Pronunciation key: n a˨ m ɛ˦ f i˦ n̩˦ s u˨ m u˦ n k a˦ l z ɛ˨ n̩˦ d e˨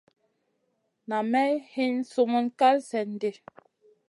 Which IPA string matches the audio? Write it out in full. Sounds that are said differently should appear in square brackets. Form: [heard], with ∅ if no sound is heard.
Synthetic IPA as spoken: n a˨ m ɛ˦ [h] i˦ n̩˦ s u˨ m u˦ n k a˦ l [s] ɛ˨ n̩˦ d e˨